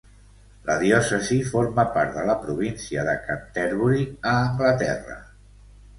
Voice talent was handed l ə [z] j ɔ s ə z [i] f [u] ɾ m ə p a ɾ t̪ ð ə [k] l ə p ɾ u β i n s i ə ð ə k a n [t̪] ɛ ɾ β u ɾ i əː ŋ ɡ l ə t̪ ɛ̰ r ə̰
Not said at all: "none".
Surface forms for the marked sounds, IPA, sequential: ð, i, o, none, t̪

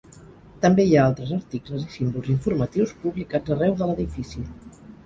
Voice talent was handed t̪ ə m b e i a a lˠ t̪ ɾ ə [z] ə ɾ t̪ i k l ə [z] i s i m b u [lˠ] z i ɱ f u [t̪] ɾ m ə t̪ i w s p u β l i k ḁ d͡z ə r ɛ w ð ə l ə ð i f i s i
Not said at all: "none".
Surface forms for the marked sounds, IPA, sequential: z, z, lˠ, none

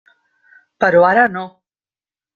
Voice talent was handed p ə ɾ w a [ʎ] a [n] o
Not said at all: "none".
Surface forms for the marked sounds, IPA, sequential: ɾ, n

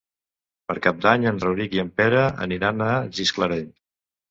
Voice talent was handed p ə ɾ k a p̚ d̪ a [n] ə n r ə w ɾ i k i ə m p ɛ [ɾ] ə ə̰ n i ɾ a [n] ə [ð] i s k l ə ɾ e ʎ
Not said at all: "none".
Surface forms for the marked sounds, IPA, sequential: ɲ, ɾ, n, ʒ

